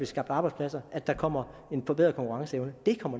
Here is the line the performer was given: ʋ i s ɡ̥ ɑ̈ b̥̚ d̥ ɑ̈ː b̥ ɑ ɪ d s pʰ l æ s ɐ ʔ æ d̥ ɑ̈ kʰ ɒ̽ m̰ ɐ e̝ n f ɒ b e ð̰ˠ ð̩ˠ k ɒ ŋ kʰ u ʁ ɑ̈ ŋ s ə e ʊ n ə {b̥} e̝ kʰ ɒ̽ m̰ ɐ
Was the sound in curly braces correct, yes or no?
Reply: no